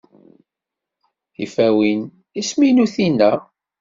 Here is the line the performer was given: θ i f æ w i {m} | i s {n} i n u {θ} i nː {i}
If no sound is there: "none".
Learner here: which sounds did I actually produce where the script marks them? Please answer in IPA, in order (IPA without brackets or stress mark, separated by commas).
n, m, θ, æ